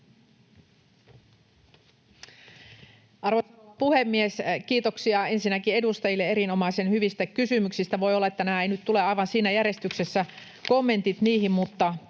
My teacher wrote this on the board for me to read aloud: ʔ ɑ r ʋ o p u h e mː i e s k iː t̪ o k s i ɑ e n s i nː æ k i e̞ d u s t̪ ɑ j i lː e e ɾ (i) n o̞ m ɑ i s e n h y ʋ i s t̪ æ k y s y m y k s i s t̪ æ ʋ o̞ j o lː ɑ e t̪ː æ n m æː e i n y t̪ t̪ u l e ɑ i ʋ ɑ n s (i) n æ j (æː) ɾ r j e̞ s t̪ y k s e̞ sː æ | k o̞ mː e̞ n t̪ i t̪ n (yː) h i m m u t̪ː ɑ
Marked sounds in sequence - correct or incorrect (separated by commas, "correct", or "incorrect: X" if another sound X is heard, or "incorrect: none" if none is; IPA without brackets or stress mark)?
correct, incorrect: iː, incorrect: æ, incorrect: iː